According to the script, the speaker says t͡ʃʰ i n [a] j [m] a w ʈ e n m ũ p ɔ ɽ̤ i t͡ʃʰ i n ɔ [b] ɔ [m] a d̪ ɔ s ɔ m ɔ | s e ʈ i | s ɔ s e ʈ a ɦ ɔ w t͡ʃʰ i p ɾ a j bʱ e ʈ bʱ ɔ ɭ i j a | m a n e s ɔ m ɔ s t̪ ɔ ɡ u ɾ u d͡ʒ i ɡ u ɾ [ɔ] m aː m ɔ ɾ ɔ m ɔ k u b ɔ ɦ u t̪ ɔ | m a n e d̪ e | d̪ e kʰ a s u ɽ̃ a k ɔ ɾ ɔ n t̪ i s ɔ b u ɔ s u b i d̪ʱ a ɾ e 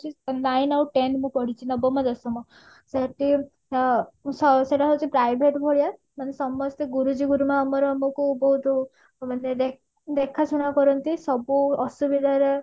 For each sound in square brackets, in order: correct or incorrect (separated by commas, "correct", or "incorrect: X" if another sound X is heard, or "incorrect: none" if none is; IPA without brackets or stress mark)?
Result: correct, incorrect: n, correct, correct, incorrect: u